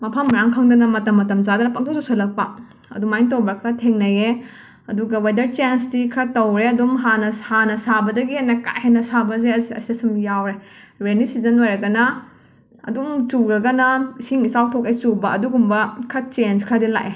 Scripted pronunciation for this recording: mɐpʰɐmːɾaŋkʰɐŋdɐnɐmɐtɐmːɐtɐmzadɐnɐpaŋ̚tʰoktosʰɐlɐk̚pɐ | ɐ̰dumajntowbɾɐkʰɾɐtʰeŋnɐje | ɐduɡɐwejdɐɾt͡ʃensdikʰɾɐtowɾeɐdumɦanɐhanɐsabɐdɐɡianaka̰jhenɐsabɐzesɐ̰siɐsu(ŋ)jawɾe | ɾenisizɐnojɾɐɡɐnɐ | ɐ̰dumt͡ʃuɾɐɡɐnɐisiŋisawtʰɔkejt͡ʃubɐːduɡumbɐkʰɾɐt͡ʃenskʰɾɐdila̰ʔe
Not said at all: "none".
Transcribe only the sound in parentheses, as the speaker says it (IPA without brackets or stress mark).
m